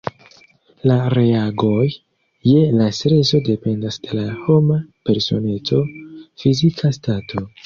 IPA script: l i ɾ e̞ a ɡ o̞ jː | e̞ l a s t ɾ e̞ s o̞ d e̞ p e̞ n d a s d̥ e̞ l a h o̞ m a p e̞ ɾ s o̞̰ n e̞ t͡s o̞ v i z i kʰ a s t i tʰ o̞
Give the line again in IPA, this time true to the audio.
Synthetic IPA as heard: l a ɾ e̞ a ɡ o̞ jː | e̞ l a s t ɾ e̞ s o̞ d e̞ p e̞ n d a s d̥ e̞ l a h o̞ m a p e̞ ɾ s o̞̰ n e̞ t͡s o̞ f i z i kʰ a s t a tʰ o̞